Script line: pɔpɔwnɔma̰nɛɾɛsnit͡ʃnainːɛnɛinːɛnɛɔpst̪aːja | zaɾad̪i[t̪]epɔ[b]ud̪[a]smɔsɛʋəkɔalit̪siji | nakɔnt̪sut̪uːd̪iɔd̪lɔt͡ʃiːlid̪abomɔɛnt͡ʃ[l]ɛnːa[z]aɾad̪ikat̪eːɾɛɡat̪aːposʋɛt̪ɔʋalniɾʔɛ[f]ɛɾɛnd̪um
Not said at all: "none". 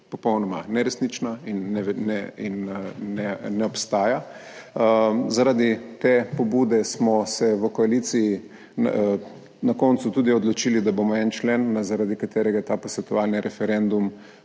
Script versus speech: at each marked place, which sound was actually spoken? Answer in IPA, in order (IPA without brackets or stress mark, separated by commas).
t̪, b, ɛ, l, z, f